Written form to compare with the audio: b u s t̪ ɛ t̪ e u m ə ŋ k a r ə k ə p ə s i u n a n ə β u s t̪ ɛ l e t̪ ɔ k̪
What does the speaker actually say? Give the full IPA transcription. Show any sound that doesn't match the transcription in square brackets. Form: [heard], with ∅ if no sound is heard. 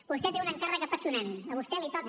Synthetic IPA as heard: b u s t̪ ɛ t̪ e u [n] ə ŋ k a r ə k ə p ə s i u n a n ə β u s t̪ ɛ l [i] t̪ ɔ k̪